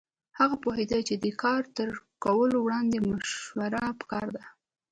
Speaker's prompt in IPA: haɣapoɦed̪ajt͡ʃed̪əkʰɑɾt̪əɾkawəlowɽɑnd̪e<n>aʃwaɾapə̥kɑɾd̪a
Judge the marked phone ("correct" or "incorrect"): incorrect